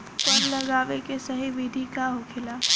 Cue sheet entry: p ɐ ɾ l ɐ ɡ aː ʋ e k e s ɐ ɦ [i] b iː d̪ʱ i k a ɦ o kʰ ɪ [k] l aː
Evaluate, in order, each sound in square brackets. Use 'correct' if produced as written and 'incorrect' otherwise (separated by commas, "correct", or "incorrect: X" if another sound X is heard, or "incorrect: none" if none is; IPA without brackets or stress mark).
correct, incorrect: none